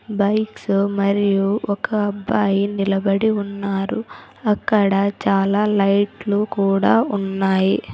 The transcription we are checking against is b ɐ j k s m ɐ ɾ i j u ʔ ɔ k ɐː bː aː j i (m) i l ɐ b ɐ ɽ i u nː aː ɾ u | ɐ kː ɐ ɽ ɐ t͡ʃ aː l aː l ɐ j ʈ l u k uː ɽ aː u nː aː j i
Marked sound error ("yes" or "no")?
yes